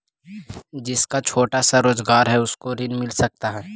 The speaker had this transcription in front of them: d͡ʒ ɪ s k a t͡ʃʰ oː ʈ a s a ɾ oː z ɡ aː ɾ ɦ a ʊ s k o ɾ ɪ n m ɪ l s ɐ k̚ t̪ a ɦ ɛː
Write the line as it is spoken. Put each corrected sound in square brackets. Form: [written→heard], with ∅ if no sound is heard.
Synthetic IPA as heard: d͡ʒ ɪ s k a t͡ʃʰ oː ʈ a s a ɾ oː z ɡ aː ɾ ɦ [a→ɛ] ʊ s k o ɾ ɪ n m ɪ l s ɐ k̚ t̪ a ɦ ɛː